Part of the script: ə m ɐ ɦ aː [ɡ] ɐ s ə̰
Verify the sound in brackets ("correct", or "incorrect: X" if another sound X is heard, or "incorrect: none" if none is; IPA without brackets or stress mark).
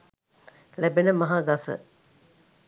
correct